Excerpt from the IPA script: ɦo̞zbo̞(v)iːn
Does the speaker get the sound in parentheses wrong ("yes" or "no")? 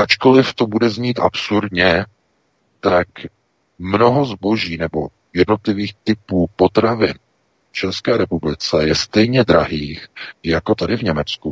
yes